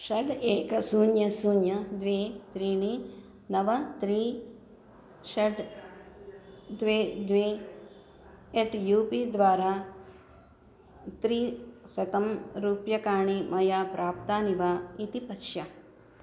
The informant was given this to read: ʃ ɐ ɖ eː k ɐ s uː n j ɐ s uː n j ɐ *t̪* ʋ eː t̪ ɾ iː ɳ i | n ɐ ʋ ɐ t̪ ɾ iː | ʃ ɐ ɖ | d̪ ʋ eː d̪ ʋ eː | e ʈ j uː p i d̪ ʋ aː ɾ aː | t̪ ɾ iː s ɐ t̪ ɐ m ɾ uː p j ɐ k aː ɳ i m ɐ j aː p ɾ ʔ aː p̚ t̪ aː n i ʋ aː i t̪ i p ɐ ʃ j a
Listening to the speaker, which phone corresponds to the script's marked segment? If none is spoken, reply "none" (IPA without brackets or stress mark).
d̪